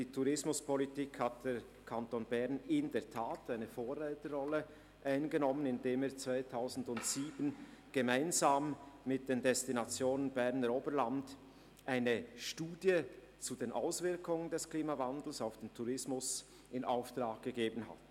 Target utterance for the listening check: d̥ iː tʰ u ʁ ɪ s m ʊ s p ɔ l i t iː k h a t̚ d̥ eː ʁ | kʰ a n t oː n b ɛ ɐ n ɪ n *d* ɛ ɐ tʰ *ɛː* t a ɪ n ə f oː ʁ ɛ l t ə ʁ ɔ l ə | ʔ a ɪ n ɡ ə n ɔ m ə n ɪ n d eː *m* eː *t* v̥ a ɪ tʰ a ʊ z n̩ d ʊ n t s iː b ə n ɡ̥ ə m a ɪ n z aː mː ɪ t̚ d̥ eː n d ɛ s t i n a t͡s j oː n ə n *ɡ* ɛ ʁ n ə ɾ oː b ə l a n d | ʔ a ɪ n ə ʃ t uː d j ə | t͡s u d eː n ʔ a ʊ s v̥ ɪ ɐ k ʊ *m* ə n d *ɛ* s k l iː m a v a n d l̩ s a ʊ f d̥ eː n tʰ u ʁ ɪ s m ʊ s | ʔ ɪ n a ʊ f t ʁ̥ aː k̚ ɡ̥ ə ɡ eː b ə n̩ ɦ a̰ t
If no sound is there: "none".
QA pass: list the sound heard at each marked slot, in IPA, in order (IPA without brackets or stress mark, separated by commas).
d, aː, m, t͡s, b, ŋ, ɛ